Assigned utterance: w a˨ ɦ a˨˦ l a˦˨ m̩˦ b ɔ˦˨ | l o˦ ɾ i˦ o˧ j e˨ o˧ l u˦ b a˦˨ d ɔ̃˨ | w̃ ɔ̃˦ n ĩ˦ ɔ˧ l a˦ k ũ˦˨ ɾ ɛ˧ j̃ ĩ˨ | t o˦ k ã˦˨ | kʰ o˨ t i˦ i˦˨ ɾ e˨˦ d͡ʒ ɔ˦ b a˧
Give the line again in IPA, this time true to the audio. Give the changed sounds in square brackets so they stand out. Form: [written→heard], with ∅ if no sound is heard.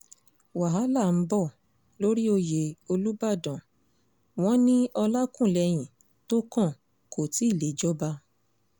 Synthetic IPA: w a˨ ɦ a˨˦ l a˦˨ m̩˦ b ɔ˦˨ | l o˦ ɾ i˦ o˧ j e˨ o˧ l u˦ b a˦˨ d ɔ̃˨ | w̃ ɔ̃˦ n ĩ˦ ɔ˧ l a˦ k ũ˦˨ [ɾ→l] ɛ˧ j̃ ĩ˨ | t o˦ k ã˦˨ | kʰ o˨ t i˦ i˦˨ [ɾ→l] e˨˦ d͡ʒ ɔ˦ b a˧

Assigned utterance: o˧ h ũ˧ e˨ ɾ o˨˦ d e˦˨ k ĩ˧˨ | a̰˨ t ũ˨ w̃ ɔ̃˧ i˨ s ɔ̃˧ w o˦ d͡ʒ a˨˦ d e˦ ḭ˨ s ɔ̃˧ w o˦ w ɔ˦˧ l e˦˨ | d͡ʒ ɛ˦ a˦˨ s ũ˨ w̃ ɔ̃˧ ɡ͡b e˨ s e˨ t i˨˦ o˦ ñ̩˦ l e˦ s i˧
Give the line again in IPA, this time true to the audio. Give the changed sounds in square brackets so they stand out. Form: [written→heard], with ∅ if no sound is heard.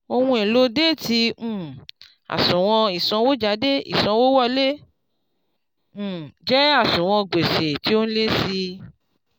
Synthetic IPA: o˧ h ũ˧ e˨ [ɾ→l] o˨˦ d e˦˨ [k→t] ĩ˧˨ | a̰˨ [t→s] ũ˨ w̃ ɔ̃˧ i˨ s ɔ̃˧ w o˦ d͡ʒ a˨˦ d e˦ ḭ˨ s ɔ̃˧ w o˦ w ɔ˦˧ l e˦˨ | d͡ʒ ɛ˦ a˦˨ s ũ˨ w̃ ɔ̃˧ ɡ͡b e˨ s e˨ t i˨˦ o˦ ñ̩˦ l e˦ s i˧

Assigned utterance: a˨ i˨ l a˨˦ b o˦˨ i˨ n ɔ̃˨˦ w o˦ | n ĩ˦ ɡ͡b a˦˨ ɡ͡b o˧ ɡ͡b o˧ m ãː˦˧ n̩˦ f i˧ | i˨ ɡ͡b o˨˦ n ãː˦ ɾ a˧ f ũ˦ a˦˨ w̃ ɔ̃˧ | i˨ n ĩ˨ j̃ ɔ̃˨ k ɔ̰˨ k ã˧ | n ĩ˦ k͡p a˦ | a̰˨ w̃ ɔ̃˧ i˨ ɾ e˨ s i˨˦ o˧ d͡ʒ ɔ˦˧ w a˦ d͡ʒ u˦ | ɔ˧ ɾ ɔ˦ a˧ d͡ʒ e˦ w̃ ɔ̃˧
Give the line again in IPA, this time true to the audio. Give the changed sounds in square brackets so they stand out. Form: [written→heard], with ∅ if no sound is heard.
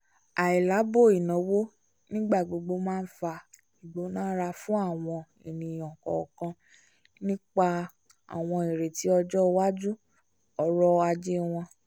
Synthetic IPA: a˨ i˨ l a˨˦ b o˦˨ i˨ n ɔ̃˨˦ w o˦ | n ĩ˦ ɡ͡b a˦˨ ɡ͡b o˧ ɡ͡b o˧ m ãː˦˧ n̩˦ f [i˧→a˧] | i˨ ɡ͡b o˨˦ n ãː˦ ɾ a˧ f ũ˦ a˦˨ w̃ ɔ̃˧ | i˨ n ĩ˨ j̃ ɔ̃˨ k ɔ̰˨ k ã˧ | n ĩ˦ k͡p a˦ | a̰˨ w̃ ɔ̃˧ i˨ ɾ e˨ [s→t] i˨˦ [o˧→ɔ˧] d͡ʒ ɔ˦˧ w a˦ d͡ʒ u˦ | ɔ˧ ɾ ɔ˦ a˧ d͡ʒ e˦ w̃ ɔ̃˧

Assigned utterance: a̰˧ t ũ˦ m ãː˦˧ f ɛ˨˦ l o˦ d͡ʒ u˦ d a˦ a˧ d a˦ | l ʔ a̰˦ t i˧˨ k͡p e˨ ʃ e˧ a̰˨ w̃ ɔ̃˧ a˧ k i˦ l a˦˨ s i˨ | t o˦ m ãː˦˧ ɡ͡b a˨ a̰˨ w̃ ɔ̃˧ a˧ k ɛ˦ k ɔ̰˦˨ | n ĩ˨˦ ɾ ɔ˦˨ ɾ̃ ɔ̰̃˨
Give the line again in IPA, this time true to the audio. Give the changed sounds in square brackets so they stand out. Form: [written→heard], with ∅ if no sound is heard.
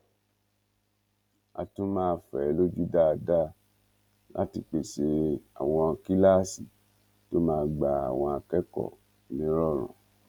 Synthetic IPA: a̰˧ t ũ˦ m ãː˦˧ f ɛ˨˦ l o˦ d͡ʒ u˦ d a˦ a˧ d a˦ | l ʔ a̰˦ t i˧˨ k͡p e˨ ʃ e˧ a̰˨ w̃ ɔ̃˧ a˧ k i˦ l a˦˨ s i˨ | t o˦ m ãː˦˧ ɡ͡b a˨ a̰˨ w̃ ɔ̃˧ a˧ k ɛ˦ k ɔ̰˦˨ | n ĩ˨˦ ɾ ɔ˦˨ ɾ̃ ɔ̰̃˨

